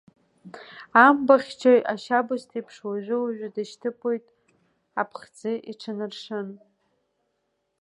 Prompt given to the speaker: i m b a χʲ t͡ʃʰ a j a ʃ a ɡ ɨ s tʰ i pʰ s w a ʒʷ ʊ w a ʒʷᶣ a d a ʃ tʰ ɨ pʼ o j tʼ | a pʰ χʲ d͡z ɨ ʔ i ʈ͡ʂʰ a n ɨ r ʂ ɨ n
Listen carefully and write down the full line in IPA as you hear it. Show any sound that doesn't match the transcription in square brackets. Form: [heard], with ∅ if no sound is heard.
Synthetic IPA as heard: [a] m b a χʲ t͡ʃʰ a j a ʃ a [b] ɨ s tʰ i pʰ [ʂ] w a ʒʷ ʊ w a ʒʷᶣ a d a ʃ tʰ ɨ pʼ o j tʼ | a pʰ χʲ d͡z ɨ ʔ i ʈ͡ʂʰ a n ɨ r ʂ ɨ n